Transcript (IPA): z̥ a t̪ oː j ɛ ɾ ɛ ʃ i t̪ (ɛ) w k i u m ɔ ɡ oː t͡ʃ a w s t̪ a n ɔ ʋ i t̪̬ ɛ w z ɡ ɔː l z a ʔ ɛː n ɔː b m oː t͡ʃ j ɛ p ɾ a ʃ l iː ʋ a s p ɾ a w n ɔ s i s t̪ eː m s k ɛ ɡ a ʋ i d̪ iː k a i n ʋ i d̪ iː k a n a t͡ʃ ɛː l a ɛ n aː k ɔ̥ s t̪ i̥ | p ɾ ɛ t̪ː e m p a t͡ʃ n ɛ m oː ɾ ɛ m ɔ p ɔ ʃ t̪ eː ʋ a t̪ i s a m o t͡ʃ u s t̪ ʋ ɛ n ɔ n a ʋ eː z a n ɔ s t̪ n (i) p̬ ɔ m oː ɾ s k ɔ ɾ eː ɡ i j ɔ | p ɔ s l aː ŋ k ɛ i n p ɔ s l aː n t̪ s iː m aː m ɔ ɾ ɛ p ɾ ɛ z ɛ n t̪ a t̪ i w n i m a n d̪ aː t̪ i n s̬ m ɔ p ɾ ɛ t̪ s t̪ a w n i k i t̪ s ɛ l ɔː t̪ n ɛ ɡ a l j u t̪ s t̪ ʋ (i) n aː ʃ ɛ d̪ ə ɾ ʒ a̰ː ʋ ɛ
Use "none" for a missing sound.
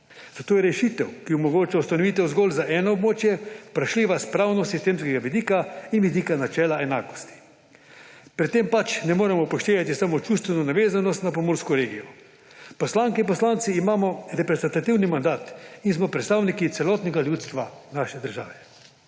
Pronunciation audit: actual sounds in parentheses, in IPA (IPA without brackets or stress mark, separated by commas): ɛ, a, a